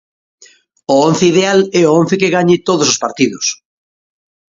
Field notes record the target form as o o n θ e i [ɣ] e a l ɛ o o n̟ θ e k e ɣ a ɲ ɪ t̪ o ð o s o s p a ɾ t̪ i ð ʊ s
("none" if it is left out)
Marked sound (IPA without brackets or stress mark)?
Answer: ð